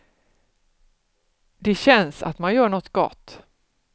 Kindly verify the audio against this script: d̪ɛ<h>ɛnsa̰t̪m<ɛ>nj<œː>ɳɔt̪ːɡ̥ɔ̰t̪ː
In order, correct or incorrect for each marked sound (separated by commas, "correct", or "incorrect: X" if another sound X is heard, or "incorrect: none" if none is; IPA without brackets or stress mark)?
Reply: incorrect: ɕ, incorrect: a, correct